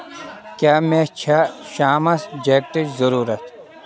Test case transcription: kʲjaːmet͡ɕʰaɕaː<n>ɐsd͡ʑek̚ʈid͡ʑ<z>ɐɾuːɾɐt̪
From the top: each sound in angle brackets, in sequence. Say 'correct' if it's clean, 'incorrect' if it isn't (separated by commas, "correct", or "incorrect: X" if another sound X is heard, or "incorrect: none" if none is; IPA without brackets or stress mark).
incorrect: m, correct